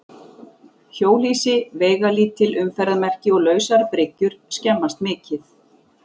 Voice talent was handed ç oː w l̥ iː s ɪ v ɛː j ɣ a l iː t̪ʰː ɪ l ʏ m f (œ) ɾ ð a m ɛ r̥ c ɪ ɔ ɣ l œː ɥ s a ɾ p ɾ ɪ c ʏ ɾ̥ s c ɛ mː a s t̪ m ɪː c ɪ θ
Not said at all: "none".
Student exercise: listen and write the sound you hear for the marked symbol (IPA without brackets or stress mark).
ɛ